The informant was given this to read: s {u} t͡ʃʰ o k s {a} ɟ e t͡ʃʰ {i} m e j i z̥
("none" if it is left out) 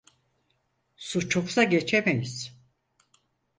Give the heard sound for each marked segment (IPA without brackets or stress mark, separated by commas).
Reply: u, a, e